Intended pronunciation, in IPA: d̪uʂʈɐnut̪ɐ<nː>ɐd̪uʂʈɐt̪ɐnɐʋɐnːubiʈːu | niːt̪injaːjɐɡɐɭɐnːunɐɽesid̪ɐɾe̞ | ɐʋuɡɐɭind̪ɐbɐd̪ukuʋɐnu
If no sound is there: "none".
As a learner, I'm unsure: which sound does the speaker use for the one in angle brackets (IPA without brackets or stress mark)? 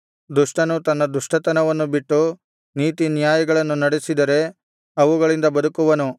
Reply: nː